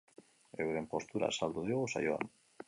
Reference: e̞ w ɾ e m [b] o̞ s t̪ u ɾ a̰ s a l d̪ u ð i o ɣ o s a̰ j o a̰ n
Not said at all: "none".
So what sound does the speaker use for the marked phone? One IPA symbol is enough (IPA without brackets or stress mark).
p